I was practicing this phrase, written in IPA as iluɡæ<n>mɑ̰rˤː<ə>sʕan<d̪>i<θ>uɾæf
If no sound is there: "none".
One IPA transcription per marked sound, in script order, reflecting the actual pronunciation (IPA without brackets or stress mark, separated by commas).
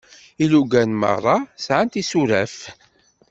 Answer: n, ɑ, t̪, s